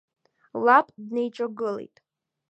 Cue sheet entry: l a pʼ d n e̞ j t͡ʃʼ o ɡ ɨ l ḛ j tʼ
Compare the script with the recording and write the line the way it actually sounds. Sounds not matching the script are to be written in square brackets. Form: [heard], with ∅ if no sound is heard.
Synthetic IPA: l a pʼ d n e̞ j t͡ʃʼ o ɡ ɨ l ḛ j tʼ